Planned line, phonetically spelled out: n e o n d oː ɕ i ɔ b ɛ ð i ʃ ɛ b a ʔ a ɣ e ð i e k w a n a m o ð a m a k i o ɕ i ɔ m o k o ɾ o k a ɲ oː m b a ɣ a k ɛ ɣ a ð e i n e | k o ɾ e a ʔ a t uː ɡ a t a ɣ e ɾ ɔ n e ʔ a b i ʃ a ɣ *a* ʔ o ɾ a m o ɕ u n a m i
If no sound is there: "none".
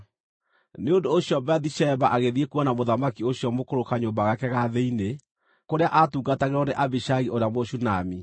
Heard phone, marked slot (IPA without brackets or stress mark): i